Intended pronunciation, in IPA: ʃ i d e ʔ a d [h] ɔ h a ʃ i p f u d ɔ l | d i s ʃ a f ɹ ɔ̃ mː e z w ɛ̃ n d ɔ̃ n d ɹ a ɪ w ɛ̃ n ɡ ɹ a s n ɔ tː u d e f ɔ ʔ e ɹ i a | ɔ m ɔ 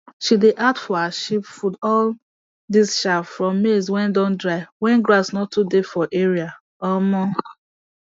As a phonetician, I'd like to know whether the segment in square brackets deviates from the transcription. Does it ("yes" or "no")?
yes